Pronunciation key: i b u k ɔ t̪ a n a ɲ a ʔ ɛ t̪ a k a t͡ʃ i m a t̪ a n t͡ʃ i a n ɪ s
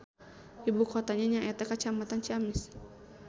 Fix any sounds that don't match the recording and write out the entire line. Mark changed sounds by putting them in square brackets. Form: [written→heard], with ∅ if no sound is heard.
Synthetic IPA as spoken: i b u k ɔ t̪ a [n→ɲ] a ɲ a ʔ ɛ t̪ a k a t͡ʃ [i→a] m a t̪ a n t͡ʃ i a [n→m] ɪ s